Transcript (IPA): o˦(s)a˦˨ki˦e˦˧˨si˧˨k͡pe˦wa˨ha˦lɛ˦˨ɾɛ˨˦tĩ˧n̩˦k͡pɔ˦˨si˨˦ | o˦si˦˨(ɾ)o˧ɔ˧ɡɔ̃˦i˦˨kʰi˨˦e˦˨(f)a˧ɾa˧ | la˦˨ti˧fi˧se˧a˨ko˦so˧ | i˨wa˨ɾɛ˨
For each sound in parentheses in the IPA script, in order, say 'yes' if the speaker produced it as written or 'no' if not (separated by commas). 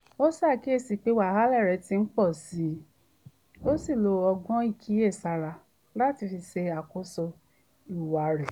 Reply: yes, no, no